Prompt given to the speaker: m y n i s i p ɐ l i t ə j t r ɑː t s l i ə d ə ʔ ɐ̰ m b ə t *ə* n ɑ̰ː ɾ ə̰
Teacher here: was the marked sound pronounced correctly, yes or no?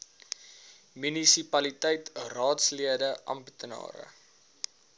yes